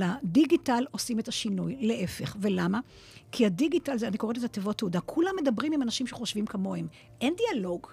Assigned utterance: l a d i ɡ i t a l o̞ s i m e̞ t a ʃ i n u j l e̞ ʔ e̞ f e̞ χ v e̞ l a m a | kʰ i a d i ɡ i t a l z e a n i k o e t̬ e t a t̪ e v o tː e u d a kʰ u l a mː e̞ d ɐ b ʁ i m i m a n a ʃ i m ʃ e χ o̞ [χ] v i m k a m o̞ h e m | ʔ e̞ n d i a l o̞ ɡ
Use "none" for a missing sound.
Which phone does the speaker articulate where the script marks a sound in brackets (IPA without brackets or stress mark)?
ʃ